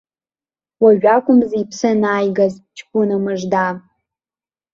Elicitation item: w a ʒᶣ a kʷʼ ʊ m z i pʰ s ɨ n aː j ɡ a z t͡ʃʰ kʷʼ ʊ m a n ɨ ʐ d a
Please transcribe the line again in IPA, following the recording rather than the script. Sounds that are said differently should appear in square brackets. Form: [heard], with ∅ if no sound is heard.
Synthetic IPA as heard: w a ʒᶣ a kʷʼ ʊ m z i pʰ s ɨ n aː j ɡ a z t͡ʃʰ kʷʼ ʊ [n] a [m] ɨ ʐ d a